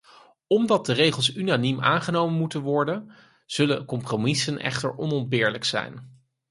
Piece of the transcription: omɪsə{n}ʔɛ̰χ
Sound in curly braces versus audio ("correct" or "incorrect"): correct